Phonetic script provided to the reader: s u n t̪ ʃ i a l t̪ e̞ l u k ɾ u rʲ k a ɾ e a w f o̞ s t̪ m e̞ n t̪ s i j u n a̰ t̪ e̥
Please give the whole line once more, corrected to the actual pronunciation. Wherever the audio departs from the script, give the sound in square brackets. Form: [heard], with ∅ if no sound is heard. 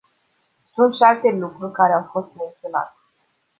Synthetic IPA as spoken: s u n t̪ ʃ i a l t̪ e̞ l u k ɾ u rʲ k a ɾ e a w f o̞ s t̪ m e̞ n t̪ s i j [o] n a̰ t̪ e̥